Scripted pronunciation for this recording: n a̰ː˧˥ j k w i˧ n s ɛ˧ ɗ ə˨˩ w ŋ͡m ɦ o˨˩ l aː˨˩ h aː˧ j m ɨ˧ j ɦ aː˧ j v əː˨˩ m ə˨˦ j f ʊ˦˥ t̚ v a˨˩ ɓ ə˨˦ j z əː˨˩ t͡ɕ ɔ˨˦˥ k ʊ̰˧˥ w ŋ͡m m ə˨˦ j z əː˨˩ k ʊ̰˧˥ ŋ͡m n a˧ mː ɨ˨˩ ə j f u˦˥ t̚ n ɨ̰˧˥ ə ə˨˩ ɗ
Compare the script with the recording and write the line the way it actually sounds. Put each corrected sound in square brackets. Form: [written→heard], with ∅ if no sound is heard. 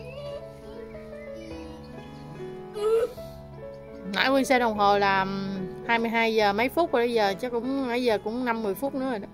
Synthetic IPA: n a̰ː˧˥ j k w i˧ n s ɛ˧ ɗ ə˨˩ w ŋ͡m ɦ o˨˩ l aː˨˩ h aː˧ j m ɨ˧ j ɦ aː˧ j [v→z] əː˨˩ m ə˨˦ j f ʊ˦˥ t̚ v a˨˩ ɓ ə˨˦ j z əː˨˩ t͡ɕ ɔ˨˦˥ k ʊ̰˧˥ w ŋ͡m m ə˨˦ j z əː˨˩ k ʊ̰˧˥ ŋ͡m n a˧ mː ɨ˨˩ ə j f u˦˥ t̚ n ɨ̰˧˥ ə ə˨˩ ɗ